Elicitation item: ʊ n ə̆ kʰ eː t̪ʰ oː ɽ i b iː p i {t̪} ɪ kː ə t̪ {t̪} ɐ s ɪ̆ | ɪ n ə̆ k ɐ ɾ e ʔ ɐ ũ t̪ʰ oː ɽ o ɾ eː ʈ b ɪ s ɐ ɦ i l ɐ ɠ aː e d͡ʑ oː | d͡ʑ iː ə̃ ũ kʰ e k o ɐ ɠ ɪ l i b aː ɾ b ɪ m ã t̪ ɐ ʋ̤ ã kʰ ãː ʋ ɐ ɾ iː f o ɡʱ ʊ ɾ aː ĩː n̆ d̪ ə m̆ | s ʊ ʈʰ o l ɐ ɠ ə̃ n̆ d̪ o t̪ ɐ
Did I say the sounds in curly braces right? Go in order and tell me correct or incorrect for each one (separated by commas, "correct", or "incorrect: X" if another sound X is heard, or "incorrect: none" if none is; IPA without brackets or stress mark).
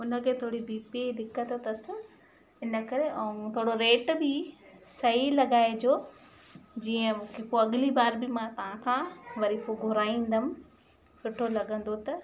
incorrect: d̪, correct